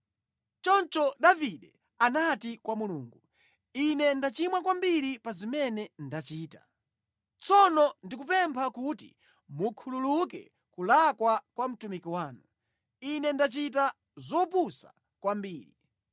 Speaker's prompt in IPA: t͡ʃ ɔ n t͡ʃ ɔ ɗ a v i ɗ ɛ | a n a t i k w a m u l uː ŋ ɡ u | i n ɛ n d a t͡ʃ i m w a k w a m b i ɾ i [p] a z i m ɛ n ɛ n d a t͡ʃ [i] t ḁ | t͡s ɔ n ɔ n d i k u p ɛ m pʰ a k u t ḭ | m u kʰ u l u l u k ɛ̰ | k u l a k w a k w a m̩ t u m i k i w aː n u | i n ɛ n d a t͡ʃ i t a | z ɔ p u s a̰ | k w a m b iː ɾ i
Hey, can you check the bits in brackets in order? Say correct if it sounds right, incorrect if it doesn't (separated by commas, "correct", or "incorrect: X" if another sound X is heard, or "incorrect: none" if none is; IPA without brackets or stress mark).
correct, incorrect: iː